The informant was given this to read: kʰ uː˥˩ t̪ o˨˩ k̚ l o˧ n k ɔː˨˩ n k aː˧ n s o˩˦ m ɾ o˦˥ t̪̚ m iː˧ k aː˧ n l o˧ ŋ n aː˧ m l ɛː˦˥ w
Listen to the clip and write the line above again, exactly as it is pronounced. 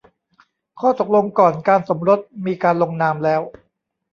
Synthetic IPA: kʰ ɔː˥˩ t̪ o˨˩ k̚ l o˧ ŋ k ɔː˨˩ n k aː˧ n s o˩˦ m ɾ o˦˥ t̪̚ m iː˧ k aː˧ n l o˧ ŋ n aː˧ m l ɛː˦˥ w